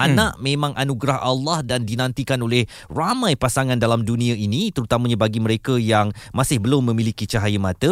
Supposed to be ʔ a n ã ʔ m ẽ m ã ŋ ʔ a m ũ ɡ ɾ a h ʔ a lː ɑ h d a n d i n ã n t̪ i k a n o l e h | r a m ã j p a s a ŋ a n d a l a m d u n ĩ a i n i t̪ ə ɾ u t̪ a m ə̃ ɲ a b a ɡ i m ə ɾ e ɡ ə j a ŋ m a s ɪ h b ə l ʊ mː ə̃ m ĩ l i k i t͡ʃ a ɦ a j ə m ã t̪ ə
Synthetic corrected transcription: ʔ a n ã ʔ m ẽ m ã ŋ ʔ a n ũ ɡ ɾ a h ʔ a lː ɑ h d a n d i n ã n t̪ i k a n o l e h | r a m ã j p a s a ŋ a n d a l a m d u n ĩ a i n i t̪ ə ɾ u t̪ a m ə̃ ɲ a b a ɡ i m ə ɾ e k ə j a ŋ m a s ɪ h b ə l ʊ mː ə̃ m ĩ l i k i t͡ʃ a ɦ a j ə m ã t̪ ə